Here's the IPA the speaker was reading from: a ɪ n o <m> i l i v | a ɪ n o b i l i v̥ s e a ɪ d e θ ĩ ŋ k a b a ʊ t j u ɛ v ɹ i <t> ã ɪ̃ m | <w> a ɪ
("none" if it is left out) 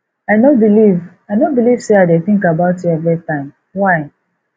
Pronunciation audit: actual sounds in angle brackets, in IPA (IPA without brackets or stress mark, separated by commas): b, t, w